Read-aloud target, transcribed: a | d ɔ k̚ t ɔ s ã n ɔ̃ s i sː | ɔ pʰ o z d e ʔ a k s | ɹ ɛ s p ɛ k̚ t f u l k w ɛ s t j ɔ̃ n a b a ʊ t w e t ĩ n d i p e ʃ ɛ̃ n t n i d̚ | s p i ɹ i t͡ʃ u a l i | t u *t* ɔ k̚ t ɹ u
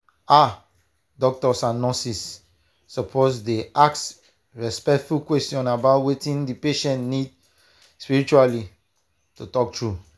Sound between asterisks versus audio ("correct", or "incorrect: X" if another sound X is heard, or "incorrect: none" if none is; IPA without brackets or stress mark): correct